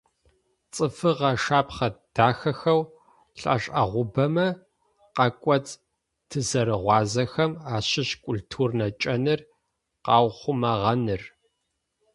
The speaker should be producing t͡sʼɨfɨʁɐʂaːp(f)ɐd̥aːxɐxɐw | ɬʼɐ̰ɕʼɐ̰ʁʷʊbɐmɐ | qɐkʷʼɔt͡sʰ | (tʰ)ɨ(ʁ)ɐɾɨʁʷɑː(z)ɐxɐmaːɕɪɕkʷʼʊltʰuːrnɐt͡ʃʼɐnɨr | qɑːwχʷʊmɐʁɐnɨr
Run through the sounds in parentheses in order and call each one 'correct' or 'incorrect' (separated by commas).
incorrect, correct, incorrect, correct